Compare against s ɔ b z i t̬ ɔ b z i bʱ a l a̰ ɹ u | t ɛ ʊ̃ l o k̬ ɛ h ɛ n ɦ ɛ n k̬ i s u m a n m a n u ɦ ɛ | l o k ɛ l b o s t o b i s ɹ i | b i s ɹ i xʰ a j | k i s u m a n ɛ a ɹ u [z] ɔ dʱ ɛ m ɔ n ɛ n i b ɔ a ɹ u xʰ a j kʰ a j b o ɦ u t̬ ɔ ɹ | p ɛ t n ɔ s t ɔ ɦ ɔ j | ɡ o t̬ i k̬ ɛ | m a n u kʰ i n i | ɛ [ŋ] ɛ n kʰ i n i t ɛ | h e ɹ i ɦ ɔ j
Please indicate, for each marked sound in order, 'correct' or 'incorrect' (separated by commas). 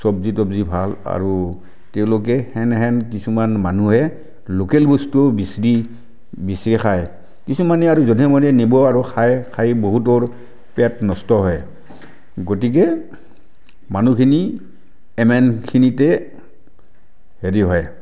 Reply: correct, incorrect